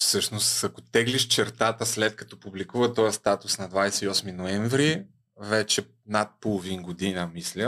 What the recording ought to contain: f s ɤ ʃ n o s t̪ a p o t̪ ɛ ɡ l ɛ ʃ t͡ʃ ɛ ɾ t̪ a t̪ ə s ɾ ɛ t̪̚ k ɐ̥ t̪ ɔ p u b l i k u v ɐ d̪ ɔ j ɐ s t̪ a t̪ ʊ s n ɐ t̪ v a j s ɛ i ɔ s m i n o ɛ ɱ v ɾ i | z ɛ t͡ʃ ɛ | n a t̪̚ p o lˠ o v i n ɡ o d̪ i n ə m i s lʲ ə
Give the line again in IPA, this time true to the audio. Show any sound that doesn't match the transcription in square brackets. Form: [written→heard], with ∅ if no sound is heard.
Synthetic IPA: f s ɤ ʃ n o s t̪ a [p→k] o t̪ ɛ ɡ l [ɛ→i] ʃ t͡ʃ ɛ ɾ t̪ a t̪ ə s [ɾ→l] ɛ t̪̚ k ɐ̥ t̪ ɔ p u b l i k u v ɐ [d̪→t̪] ɔ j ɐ s t̪ a t̪ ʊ s n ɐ [t̪→d̪] v a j s ɛ i ɔ s m i n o ɛ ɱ v ɾ i | [z→v] ɛ t͡ʃ ɛ | n a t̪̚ p o lˠ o v i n ɡ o d̪ i n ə m i s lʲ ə